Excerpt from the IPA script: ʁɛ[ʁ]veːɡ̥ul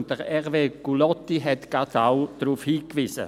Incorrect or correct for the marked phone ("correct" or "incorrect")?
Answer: correct